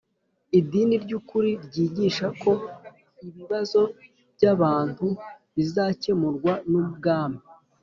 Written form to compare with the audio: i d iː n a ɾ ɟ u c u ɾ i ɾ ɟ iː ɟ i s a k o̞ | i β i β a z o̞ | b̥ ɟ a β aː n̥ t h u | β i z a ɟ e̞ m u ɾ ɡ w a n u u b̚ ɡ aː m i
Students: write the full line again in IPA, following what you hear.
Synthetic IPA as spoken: i d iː n i ɾ ɟ u k u ɾ i ɾ ɟ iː ɟ i ʃ a k o̞ | i β i β a z o̞ | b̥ ɟ a β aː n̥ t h u | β i z a c e̞ m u ɾ ɡ w a n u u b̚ ɡ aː m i